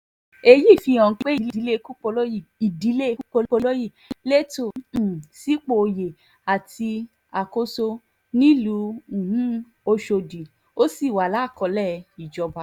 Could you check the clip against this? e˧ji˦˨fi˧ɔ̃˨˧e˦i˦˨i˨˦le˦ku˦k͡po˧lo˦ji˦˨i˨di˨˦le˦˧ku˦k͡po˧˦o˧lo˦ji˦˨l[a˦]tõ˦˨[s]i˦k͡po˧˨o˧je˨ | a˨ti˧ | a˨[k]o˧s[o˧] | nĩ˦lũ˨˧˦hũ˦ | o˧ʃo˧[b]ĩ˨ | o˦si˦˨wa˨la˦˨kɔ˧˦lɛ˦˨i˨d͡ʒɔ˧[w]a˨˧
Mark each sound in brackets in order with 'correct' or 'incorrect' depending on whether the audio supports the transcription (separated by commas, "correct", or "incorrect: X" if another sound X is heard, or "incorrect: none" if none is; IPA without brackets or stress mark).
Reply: incorrect: e˦, correct, correct, correct, incorrect: d, incorrect: b